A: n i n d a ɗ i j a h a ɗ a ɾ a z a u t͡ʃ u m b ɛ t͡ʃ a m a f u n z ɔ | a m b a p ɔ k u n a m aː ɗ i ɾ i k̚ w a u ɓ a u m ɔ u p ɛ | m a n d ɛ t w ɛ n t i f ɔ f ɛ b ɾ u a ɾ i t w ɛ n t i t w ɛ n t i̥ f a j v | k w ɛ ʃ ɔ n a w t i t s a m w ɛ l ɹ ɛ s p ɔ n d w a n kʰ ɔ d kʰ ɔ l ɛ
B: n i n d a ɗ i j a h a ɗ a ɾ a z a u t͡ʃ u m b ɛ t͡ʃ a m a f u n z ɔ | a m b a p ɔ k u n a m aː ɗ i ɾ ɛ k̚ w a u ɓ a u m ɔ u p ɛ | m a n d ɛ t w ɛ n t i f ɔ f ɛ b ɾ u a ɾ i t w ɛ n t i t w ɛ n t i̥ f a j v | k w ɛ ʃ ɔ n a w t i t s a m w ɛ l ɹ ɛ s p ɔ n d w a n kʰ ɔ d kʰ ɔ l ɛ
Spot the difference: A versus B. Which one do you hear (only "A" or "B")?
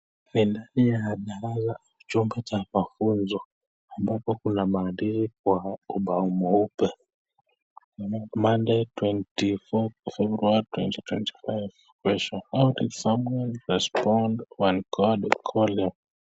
A